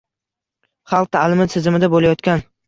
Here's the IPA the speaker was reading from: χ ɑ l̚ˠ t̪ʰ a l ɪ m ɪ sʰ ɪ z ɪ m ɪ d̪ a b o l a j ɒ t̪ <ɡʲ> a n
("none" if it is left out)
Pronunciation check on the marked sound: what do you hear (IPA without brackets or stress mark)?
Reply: kʲ